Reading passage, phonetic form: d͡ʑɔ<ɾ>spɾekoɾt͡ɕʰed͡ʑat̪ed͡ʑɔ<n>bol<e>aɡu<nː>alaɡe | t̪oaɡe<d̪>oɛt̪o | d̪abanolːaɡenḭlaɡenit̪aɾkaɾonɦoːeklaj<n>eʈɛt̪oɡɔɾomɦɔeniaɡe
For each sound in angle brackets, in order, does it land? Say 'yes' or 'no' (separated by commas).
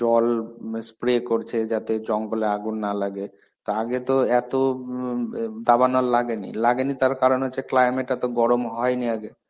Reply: no, no, yes, yes, no, no